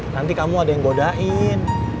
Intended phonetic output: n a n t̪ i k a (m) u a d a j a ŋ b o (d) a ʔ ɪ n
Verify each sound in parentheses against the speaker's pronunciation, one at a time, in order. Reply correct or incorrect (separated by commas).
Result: correct, correct